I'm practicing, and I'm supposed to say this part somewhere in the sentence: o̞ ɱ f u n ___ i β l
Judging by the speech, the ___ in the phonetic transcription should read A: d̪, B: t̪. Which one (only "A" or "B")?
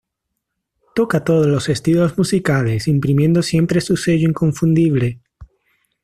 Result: A